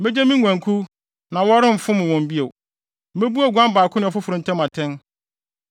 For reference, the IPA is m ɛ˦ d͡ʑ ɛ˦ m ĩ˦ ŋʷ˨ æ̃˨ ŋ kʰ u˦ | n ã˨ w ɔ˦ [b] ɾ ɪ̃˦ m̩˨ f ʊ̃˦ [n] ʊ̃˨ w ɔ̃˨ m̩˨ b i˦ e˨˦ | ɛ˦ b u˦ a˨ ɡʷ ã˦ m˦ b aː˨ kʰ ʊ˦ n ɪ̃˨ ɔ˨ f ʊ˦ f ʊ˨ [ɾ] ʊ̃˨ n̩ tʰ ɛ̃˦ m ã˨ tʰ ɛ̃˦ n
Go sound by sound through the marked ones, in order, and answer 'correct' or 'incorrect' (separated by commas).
incorrect, incorrect, correct